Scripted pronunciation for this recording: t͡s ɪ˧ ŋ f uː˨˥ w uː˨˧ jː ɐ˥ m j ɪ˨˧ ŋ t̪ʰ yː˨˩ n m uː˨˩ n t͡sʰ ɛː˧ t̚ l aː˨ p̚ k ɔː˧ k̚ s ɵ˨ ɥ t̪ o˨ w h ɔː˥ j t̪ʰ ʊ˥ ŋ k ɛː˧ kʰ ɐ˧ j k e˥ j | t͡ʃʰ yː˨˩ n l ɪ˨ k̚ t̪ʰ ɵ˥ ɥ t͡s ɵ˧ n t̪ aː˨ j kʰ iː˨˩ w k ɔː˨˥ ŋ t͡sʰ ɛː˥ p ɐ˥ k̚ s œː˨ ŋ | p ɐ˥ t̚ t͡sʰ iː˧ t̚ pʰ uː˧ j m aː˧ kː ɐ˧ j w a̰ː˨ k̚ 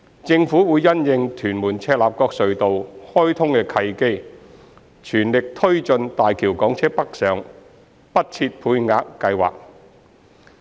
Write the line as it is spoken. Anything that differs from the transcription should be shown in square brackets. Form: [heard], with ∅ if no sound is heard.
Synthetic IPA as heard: t͡s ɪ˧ ŋ f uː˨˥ w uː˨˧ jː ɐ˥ [n] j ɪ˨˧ ŋ t̪ʰ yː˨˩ n m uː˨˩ n t͡sʰ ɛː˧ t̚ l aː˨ p̚ k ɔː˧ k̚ s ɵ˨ ɥ t̪ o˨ w h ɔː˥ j t̪ʰ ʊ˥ ŋ k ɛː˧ kʰ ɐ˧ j k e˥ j | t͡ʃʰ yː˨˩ n l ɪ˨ k̚ t̪ʰ ɵ˥ ɥ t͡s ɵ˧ n t̪ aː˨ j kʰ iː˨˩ w k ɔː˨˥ ŋ t͡sʰ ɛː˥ p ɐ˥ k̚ s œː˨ ŋ | p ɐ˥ t̚ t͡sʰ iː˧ t̚ pʰ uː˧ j [ŋ] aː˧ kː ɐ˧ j w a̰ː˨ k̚